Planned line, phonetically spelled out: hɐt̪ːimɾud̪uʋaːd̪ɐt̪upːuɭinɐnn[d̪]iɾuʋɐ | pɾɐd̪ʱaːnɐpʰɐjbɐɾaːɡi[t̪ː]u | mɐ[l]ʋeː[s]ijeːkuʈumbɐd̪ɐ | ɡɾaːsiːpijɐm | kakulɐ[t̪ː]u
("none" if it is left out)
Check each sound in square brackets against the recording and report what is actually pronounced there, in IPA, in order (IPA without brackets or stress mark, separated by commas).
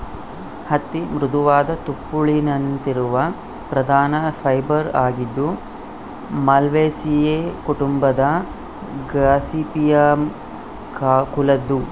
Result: t̪, d̪ː, l, s, d̪ː